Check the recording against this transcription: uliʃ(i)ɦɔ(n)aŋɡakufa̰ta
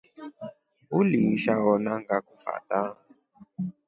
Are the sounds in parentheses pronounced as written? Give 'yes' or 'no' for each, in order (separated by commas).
no, yes